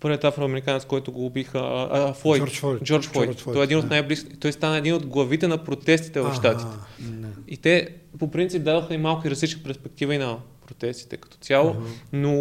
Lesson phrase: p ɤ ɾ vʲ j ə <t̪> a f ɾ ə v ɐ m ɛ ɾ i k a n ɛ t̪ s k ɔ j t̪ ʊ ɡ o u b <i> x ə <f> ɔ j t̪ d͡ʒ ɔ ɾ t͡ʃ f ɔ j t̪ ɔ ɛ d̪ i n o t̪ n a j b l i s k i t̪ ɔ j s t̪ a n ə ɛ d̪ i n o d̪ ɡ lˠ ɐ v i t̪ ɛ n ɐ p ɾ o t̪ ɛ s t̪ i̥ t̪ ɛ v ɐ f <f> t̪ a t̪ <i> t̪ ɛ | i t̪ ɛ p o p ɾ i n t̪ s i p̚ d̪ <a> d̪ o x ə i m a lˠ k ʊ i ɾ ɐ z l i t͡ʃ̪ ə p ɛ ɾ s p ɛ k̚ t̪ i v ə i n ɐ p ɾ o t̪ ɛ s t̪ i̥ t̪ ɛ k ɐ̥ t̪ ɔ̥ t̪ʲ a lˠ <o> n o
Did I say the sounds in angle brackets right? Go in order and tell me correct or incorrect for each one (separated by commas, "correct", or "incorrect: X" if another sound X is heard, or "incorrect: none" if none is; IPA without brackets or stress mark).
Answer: correct, correct, correct, incorrect: ʃ, correct, correct, correct